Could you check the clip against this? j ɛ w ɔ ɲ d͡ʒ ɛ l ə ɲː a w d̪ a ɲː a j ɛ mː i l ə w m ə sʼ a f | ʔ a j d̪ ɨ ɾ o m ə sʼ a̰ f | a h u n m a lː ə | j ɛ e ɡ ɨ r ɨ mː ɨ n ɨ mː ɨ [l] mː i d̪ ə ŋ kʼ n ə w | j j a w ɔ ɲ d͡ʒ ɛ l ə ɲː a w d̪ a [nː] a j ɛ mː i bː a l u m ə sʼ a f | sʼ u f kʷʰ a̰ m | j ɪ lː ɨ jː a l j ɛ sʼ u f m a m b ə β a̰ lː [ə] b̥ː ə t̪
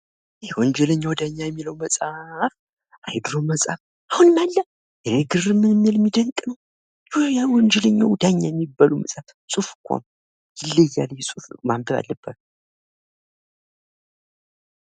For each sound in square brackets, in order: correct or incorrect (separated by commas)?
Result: correct, incorrect, correct